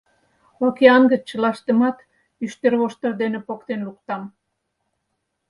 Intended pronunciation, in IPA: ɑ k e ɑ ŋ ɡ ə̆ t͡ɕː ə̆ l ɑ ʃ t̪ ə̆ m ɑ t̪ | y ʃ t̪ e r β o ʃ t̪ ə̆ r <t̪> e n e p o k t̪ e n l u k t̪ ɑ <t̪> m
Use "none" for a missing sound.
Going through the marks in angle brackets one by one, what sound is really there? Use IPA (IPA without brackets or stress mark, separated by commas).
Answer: d̪, none